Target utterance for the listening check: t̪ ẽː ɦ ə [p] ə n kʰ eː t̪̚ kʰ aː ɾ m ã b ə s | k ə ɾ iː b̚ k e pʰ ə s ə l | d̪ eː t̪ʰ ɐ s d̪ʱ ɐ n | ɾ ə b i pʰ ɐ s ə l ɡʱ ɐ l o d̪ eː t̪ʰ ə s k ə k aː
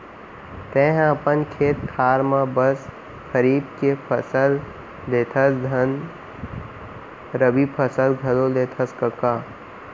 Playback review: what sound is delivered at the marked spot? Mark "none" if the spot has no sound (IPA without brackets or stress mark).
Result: p